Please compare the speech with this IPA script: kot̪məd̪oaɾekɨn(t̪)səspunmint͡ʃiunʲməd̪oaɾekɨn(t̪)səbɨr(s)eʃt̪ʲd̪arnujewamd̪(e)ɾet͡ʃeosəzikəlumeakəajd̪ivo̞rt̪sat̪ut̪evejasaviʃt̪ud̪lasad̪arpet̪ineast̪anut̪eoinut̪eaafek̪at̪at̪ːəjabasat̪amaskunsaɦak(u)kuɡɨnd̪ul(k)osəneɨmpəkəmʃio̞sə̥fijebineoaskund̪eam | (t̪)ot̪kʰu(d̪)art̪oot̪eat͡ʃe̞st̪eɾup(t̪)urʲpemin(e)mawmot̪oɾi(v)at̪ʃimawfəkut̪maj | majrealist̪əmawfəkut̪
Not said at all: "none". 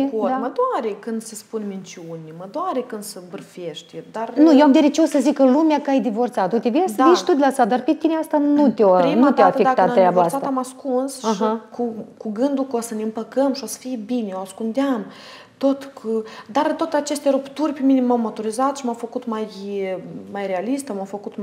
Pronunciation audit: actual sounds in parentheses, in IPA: d̪, d̪, f, e, u, k, t̪, d̪, t̪, e, z

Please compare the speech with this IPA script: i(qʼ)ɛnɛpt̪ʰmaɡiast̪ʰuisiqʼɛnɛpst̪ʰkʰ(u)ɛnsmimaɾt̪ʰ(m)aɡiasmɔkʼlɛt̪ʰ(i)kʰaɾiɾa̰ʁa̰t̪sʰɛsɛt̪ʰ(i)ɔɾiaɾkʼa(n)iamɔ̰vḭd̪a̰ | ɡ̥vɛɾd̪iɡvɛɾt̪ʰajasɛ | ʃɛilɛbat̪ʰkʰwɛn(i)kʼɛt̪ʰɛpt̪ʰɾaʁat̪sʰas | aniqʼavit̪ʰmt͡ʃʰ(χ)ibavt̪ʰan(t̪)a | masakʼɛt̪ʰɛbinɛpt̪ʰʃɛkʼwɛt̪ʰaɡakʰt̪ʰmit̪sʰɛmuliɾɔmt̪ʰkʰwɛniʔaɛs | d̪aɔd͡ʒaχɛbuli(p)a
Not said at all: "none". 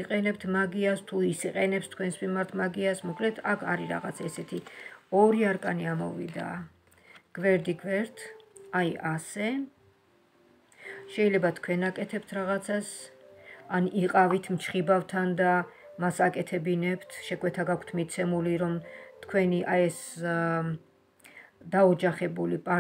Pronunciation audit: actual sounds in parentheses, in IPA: qʼ, w, m, a, i, n, a, χ, d̪, pʼ

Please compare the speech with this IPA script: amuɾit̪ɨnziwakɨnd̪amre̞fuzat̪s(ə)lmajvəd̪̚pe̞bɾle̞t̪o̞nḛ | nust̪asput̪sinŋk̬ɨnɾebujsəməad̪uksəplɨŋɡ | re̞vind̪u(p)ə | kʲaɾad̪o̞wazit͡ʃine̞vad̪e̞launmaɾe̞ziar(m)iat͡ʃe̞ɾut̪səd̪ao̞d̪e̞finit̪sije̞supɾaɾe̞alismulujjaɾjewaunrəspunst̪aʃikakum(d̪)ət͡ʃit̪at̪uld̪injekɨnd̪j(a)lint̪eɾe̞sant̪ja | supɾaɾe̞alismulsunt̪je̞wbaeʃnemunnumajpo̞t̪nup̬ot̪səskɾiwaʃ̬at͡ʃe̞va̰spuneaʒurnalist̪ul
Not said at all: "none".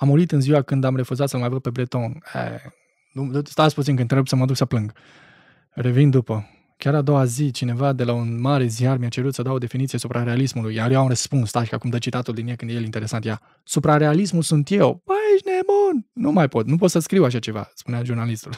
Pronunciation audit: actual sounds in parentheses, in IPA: ə, p, m, d̪, e

